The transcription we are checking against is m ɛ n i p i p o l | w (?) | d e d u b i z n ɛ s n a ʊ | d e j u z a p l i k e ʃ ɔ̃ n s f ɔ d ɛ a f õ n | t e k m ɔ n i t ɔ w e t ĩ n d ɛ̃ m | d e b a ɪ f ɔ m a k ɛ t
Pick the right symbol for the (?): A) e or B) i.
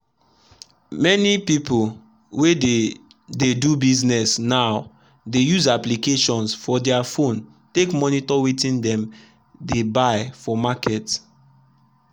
A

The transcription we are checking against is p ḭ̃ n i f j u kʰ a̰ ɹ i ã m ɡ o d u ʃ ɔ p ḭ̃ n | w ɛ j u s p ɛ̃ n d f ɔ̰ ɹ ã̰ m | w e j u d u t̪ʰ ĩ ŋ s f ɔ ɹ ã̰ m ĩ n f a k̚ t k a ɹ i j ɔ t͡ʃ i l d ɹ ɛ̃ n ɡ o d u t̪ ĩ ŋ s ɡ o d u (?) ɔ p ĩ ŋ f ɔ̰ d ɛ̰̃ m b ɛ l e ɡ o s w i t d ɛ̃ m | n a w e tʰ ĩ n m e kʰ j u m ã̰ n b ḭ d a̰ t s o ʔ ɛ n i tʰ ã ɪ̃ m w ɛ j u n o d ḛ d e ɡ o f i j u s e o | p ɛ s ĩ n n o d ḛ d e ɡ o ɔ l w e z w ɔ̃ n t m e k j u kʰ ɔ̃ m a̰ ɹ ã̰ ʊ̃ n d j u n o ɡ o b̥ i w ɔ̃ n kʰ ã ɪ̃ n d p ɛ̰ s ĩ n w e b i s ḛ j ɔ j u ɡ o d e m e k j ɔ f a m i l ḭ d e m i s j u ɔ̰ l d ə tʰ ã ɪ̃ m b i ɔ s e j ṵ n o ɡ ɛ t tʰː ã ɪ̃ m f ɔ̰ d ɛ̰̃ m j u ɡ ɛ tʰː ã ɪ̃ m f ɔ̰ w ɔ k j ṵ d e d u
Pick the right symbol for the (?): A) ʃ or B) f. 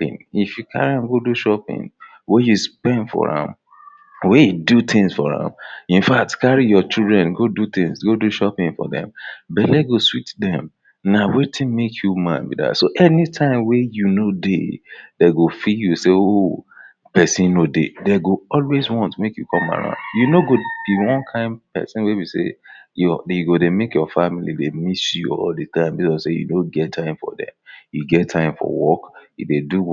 A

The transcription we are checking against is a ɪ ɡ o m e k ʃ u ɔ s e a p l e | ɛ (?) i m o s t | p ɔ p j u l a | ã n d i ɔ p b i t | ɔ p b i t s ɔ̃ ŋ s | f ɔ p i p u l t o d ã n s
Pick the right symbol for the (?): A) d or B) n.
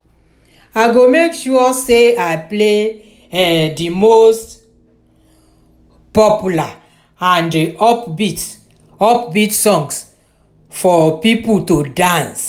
A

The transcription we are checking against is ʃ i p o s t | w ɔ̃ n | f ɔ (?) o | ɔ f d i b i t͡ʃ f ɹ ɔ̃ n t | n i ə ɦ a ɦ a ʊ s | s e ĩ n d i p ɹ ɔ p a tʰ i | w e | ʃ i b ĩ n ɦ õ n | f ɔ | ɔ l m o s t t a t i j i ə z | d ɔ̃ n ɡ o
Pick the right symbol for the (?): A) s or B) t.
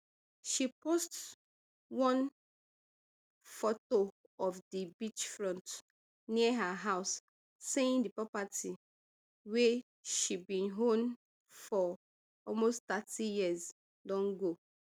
B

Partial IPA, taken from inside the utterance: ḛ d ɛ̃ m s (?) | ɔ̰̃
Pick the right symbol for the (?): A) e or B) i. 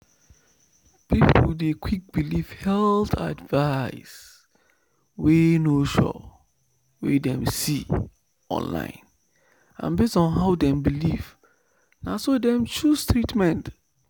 B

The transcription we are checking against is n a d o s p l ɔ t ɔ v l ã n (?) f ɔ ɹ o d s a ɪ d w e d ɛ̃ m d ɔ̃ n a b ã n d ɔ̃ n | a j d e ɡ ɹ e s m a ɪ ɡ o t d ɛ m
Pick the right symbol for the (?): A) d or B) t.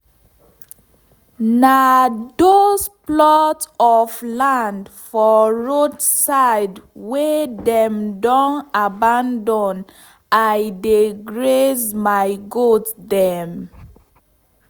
A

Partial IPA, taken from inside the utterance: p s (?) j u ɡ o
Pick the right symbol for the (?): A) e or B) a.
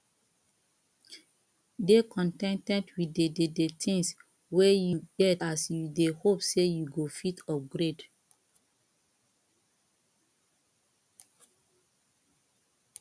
A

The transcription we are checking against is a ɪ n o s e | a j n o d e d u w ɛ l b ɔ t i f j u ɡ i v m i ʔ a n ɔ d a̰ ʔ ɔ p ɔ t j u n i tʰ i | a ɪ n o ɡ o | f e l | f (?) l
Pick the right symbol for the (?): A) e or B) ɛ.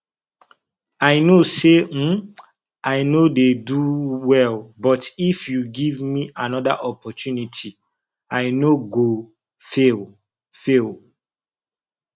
A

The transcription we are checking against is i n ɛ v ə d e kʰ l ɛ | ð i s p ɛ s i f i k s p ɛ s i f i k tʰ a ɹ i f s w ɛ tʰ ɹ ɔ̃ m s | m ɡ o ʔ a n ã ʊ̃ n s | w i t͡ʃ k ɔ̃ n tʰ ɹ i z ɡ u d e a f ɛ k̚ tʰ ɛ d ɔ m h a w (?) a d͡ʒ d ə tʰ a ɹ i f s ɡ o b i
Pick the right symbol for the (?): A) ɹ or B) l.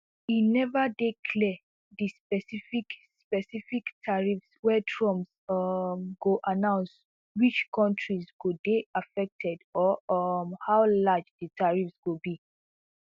B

